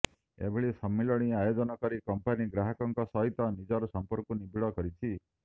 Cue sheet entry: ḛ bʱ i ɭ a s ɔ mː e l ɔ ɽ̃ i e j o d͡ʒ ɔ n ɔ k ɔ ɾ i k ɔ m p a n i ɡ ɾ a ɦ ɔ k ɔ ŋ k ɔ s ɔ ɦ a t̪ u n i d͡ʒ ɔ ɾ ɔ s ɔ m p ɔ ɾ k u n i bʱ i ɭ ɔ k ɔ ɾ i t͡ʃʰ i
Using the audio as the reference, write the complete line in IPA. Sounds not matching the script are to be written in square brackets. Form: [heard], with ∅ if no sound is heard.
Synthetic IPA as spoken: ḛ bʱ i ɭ [i] s ɔ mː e l ɔ ɽ̃ i [a] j o d͡ʒ ɔ n ɔ k ɔ ɾ i k ɔ m p a n i ɡ ɾ a ɦ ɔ k ɔ ŋ k ɔ s ɔ ɦ [i] t̪ [ɔ] n i d͡ʒ ɔ ɾ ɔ s ɔ m p ɔ ɾ k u n i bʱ i ɭ ɔ k ɔ ɾ i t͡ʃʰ i

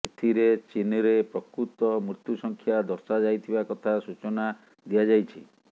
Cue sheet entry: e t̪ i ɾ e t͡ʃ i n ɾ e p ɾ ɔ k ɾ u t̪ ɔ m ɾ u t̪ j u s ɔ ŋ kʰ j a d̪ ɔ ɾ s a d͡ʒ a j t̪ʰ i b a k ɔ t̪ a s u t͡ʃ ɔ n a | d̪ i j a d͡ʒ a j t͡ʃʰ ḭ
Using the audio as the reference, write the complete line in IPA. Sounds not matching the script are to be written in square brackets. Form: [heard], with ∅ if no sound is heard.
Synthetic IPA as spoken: e [t̪ʰ] i ɾ e t͡ʃ i n ɾ e p ɾ ɔ k ɾ u t̪ ɔ m ɾ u t̪ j u s ɔ ŋ kʰ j a d̪ ɔ ɾ s a d͡ʒ a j t̪ʰ i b a k ɔ [t̪ʰ] a s u t͡ʃ ɔ n a | d̪ i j a d͡ʒ a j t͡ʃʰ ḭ

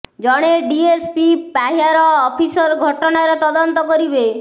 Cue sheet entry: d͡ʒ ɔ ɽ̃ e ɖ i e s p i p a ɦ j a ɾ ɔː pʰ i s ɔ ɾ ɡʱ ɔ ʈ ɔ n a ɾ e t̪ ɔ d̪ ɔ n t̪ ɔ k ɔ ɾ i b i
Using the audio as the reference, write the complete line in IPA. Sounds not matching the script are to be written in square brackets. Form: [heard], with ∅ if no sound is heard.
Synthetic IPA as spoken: d͡ʒ ɔ ɽ̃ e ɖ i e s p i p a ɦ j a ɾ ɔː pʰ i s ɔ ɾ ɡʱ ɔ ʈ ɔ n a ɾ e t̪ ɔ d̪ ɔ n t̪ ɔ k ɔ ɾ i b [e]

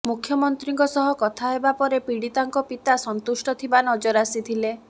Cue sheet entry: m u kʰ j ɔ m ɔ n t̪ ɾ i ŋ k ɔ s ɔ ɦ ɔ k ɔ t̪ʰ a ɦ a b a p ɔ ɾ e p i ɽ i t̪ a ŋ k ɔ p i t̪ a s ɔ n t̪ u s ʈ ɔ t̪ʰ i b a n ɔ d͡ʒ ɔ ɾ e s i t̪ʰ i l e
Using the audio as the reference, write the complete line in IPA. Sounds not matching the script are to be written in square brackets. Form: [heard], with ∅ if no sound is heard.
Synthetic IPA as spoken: m u kʰ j ɔ m ɔ n t̪ ɾ i ŋ k ɔ s ɔ ɦ ɔ k ɔ t̪ʰ a ɦ [e] b a p ɔ ɾ e p i ɽ i t̪ a ŋ k ɔ p i t̪ a s ɔ n t̪ u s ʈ ɔ t̪ʰ i b a n ɔ d͡ʒ ɔ ɾ [a] s i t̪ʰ i l e

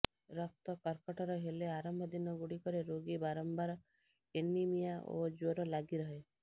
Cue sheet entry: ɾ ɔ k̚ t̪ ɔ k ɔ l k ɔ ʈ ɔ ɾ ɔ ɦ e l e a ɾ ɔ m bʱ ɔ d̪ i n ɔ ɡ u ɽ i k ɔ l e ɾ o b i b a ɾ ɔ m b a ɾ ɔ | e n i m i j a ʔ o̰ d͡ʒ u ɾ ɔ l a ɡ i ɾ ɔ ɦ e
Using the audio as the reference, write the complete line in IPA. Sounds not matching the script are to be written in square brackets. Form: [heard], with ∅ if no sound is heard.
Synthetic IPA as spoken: ɾ ɔ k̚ t̪ ɔ k ɔ [ɾ] k ɔ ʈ ɔ ɾ ɔ ɦ e l e a ɾ ɔ m bʱ ɔ d̪ i n ɔ ɡ u ɽ i k ɔ [ɾ] e ɾ o [ɡ] i b a ɾ ɔ m b a ɾ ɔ | e n i m i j a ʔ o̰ d͡ʒ [o] ɾ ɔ l a ɡ i ɾ ɔ ɦ e

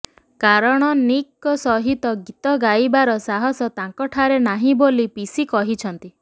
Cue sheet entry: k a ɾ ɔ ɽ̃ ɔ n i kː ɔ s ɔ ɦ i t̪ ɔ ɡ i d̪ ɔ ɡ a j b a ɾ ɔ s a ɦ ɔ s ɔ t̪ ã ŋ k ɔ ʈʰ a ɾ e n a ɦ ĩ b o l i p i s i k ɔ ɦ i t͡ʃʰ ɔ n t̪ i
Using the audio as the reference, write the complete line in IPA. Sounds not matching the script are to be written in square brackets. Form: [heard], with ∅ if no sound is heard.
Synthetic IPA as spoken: k a ɾ ɔ ɽ̃ ɔ n i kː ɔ s ɔ ɦ i t̪ ɔ ɡ i [t̪] ɔ ɡ a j b a ɾ ɔ s a ɦ ɔ s ɔ t̪ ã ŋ k ɔ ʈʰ a ɾ e n a ɦ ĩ b o l i p i s i k ɔ ɦ i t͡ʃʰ ɔ n t̪ i

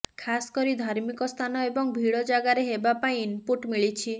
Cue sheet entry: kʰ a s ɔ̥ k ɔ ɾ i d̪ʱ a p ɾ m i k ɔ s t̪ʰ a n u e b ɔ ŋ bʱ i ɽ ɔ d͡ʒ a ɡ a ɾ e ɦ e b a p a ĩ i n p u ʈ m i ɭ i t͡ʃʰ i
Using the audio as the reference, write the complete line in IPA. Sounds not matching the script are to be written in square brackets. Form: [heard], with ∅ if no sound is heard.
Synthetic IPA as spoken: kʰ a s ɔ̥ k ɔ ɾ i d̪ʱ a [∅] ɾ m i k ɔ s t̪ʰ a n [ɔ] e b ɔ ŋ bʱ i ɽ ɔ d͡ʒ a ɡ a ɾ e ɦ e b a p a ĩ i n p u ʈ m i ɭ i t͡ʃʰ i

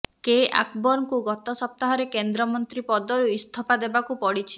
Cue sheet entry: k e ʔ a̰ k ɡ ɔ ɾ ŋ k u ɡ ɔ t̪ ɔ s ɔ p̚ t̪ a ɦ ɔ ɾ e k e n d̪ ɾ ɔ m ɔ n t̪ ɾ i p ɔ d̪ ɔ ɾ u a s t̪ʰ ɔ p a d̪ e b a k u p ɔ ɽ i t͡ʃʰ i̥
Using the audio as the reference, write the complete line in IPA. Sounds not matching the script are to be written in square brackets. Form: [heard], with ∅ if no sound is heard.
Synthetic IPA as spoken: k e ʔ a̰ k [b] ɔ ɾ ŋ k u ɡ ɔ t̪ ɔ s ɔ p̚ t̪ a ɦ ɔ ɾ e k e n d̪ ɾ ɔ m ɔ n t̪ ɾ i p ɔ d̪ ɔ ɾ u [i] s t̪ʰ ɔ p a d̪ e b a k u p ɔ ɽ i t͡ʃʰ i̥

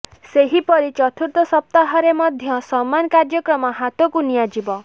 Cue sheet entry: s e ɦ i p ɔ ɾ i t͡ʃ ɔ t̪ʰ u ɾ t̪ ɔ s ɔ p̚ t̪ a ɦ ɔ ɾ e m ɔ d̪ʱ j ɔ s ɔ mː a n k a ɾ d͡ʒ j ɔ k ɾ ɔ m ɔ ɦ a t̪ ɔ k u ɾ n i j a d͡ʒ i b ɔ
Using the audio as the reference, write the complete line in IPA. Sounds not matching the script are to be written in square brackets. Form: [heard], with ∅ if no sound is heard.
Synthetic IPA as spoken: s e ɦ i p ɔ ɾ i t͡ʃ ɔ t̪ʰ u ɾ t̪ ɔ s ɔ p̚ t̪ a ɦ ɔ ɾ e m ɔ d̪ʱ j ɔ s ɔ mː a n k a ɾ d͡ʒ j ɔ k ɾ ɔ m ɔ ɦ a t̪ ɔ k u [∅] n i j a d͡ʒ i b ɔ

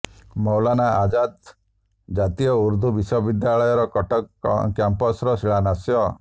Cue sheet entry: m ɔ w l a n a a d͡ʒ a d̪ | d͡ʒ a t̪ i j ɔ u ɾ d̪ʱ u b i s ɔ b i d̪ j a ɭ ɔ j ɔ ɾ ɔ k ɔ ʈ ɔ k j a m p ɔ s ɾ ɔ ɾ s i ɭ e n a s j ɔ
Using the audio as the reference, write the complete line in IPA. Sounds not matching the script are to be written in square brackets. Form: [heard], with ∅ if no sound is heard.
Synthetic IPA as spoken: m ɔ w l a n a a d͡ʒ a d̪ | d͡ʒ a t̪ i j ɔ u ɾ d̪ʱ u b i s ɔ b i d̪ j a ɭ ɔ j ɔ ɾ ɔ k ɔ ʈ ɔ k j a m p ɔ s ɾ ɔ [∅] s i ɭ [a] n a s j ɔ

